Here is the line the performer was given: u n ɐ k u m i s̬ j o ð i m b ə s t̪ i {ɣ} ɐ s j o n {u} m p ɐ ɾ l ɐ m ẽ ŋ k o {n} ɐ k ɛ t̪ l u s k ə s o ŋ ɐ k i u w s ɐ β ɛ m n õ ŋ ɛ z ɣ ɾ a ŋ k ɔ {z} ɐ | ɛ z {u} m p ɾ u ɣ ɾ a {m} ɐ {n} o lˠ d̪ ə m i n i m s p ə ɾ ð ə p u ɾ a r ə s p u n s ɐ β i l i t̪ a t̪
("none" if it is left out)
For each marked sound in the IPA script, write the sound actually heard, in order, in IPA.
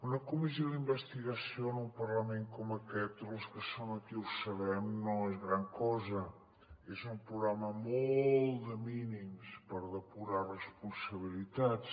ɣ, u, m, z, u, m, m

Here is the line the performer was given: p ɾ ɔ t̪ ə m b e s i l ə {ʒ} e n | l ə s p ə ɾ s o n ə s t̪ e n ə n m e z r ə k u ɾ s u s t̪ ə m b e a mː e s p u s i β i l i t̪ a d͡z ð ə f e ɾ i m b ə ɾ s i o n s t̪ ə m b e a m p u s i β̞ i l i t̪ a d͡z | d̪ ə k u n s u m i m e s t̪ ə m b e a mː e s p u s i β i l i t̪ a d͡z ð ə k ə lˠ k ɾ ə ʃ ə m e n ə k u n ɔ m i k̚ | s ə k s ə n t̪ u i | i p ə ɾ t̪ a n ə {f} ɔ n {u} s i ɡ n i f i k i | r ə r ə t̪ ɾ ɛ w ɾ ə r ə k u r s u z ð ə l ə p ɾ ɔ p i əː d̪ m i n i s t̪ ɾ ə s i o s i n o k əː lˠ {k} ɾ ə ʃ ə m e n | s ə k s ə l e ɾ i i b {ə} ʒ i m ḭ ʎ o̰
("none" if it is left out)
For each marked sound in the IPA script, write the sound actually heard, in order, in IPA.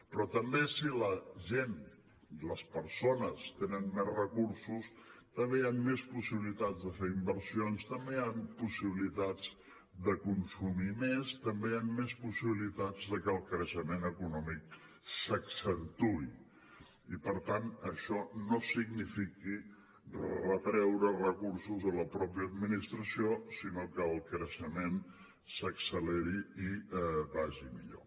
ʒ, ʃ, o, k, a

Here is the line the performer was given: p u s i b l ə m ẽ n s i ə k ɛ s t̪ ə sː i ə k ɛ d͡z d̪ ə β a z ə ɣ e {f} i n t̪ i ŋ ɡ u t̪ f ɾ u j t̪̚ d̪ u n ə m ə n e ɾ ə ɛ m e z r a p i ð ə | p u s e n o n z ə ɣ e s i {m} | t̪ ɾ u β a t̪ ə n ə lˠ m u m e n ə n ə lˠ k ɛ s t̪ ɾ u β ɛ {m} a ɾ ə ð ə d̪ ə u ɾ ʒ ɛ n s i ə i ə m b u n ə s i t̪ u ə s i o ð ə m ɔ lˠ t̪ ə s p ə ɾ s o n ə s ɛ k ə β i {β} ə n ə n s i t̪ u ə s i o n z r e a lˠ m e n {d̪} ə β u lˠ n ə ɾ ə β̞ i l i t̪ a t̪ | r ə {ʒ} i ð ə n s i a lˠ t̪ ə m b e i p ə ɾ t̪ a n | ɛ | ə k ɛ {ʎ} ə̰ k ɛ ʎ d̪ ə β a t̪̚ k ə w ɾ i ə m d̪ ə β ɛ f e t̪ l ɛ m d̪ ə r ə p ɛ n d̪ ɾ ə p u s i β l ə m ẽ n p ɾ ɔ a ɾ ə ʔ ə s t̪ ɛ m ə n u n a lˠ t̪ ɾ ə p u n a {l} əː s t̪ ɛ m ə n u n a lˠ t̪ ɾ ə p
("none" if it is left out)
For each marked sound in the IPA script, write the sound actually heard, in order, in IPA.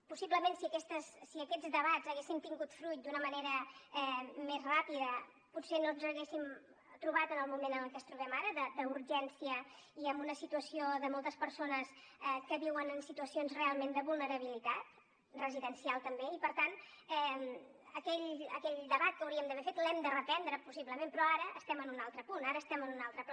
s, m, m, w, d̪, z, ʎ, ɾ

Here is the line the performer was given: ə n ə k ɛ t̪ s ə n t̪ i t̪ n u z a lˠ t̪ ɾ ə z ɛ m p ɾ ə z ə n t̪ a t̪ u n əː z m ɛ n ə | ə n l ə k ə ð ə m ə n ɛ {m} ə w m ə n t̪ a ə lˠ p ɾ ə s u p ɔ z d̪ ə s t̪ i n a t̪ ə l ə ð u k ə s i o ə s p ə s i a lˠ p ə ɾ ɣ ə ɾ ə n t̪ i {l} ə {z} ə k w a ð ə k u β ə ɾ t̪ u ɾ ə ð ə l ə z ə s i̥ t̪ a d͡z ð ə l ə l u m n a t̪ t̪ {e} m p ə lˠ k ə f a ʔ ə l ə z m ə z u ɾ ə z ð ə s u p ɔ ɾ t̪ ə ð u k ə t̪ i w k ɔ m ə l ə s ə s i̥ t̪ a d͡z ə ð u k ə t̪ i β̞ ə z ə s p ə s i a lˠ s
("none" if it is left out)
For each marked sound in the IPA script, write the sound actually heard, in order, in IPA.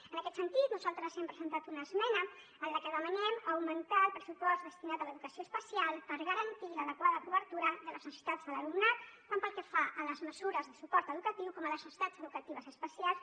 m, l, ð, a

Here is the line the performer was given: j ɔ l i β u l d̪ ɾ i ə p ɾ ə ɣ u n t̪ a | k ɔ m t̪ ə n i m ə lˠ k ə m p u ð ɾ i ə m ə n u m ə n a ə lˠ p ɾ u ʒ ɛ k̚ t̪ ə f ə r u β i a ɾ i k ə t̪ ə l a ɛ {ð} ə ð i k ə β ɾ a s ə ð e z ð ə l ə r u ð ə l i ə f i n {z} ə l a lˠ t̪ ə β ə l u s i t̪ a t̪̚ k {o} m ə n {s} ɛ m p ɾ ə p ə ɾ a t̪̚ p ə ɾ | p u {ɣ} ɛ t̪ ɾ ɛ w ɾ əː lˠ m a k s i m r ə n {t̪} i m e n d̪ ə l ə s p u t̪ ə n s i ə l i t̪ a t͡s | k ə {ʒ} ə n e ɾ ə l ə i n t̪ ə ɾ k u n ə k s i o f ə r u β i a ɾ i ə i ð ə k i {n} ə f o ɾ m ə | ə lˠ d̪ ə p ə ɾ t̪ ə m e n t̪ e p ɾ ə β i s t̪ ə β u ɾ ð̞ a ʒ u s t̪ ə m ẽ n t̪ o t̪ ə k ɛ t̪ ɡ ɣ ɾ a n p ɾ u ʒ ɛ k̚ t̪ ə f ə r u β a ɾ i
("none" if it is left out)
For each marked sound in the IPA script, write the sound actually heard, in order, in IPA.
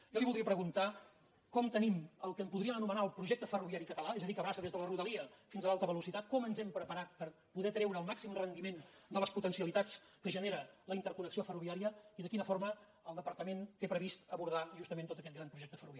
z, z, ɔ, z, ð, d̪, ʒ, n

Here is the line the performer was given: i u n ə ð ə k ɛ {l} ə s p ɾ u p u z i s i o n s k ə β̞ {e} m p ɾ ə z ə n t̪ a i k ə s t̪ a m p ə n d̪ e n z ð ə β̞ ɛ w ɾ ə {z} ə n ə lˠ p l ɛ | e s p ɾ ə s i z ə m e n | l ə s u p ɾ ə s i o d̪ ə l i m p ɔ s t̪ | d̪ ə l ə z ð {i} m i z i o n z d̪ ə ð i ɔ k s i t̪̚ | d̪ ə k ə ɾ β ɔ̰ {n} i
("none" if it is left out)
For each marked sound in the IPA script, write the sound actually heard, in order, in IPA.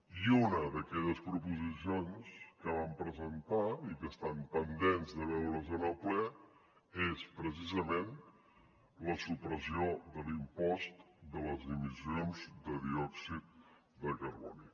ʎ, a, z, i, n

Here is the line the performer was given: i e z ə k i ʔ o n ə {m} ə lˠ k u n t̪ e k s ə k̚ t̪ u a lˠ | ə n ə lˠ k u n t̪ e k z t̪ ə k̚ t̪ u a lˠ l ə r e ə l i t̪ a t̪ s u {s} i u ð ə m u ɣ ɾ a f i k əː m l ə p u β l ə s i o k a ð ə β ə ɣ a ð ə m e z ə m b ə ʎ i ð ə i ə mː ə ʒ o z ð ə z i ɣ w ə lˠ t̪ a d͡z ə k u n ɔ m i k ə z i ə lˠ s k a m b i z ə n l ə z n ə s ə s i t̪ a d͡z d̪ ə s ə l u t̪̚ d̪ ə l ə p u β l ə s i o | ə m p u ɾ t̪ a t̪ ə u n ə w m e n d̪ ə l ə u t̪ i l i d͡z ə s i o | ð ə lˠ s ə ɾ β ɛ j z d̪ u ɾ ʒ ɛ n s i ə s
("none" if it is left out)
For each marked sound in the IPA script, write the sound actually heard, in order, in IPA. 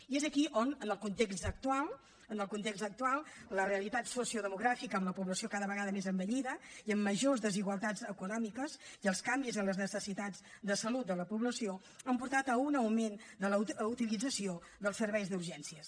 n, s

